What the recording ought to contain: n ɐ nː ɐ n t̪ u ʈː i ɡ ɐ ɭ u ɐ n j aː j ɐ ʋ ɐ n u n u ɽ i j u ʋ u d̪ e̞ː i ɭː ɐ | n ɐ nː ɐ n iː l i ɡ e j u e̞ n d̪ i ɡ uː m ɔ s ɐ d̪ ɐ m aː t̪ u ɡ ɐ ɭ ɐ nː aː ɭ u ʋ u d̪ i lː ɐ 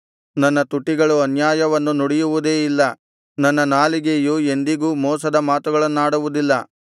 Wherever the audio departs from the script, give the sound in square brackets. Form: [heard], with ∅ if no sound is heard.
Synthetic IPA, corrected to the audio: n ɐ nː ɐ [∅] t̪ u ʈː i ɡ ɐ ɭ u ɐ n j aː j ɐ ʋ ɐ [nː] u n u ɽ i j u ʋ u d̪ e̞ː i [lː] ɐ | n ɐ nː ɐ n [aː] l i ɡ e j u e̞ n d̪ i ɡ uː m [ɔː] s ɐ d̪ ɐ m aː t̪ u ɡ ɐ ɭ ɐ nː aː [ɽ] u ʋ u d̪ i lː ɐ